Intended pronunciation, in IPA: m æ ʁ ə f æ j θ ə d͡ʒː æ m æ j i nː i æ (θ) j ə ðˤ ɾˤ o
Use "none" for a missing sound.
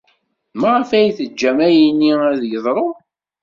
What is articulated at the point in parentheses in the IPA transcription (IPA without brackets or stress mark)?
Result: ð